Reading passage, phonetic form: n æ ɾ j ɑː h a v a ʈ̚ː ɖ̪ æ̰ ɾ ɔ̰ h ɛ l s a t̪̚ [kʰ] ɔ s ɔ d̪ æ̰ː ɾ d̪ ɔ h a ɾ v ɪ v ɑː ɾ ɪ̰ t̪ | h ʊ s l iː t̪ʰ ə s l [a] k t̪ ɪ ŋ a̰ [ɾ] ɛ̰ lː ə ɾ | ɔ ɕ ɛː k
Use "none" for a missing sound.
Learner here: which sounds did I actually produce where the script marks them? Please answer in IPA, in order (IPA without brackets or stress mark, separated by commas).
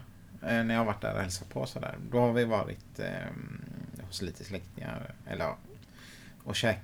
pʰ, ɛ, ɾ